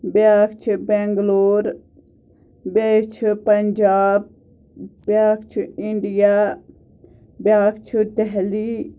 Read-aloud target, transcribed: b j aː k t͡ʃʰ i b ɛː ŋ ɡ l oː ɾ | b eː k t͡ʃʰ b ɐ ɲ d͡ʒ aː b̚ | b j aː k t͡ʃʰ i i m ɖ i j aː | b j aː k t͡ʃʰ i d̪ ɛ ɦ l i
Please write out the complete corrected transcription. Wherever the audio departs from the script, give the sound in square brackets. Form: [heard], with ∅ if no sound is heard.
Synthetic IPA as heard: b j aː k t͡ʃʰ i b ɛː ŋ ɡ l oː ɾ | b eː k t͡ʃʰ [p] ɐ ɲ d͡ʒ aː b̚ | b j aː k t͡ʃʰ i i [ɳ] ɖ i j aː | b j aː k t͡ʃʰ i d̪ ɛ ɦ l i